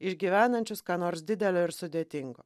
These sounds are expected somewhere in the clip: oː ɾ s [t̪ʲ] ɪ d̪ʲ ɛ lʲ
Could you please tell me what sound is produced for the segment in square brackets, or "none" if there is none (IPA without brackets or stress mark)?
d̪ʲ